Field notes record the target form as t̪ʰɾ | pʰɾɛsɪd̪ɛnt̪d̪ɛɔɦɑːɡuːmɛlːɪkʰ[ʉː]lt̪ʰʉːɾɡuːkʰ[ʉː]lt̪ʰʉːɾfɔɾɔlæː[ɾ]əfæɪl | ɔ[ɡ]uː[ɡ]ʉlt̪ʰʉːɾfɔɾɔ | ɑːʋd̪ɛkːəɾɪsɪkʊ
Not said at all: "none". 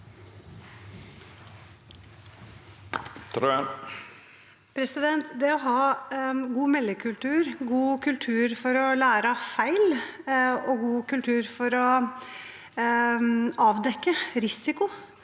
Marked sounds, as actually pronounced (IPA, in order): ʉ, ʉ, ɾ, ɡ, k

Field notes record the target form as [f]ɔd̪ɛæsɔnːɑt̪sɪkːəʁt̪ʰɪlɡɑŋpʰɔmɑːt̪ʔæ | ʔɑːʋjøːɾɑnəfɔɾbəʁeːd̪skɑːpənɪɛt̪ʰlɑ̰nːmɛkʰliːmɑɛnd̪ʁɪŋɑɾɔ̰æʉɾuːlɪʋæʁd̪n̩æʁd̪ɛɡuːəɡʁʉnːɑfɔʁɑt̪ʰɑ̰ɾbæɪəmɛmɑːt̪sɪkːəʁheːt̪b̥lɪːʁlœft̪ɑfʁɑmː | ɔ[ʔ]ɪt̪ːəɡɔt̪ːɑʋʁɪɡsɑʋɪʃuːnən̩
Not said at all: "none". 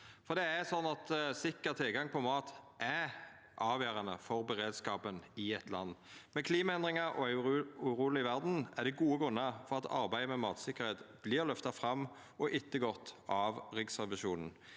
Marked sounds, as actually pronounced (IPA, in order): f, ʔ

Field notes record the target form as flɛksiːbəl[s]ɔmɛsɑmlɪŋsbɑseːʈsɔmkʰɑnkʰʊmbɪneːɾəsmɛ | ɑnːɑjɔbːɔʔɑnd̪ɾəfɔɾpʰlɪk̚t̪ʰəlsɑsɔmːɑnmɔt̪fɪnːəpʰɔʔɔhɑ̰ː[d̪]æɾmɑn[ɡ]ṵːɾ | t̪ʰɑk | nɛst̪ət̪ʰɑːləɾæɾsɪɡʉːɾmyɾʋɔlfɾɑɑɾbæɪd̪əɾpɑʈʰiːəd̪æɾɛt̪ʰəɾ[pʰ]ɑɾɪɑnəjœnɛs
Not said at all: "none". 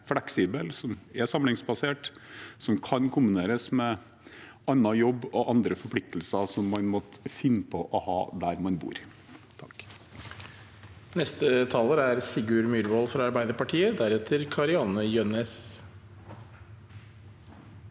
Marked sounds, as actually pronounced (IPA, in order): s, d̪, b, kʰ

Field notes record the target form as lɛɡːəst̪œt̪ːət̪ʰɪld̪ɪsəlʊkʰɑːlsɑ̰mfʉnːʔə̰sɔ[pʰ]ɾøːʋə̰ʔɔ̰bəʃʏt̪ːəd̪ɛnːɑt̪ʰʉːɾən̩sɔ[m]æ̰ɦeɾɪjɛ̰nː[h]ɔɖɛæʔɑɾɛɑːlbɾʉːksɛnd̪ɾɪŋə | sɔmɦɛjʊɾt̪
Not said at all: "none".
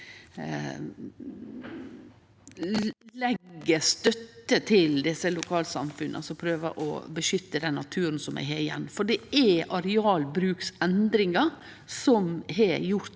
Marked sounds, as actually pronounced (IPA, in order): pʰ, m, f

